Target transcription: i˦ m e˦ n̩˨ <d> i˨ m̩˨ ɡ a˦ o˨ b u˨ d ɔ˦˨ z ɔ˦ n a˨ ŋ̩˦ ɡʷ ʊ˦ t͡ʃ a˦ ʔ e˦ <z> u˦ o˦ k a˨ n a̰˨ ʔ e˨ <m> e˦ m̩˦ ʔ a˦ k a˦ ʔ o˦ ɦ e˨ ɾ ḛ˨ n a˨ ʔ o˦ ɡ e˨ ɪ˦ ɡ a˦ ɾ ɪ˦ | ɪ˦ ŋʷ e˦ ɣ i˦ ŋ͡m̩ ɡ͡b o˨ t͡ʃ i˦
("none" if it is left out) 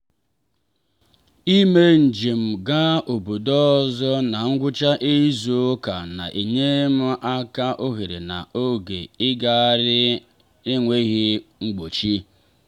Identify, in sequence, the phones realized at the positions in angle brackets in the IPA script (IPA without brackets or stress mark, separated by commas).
d͡ʒ, z, ɲ